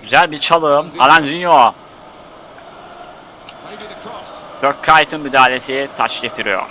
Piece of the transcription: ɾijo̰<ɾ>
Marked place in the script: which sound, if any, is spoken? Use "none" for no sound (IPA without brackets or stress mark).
ɾ